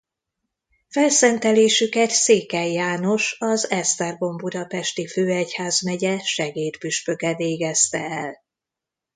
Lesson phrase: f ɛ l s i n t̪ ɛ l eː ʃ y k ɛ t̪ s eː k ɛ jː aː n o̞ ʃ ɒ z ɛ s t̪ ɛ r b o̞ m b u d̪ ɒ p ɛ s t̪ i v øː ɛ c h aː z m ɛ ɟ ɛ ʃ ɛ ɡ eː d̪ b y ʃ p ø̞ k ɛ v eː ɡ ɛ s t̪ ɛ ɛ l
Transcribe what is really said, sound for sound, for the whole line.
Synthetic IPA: f ɛ l s ɛ n t̪ ɛ l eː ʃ y k ɛ t̪ s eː k ɛ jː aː n o̞ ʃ ɒ z ɛ s t̪ ɛ r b o̞ m b u d̪ ɒ p ɛ ʃ t̪ i f øː ɛ c h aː z m ɛ ɟ ɛ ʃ ɛ ɡ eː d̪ b y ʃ p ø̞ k ɛ v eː ɡ ɛ s t̪ ɛ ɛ l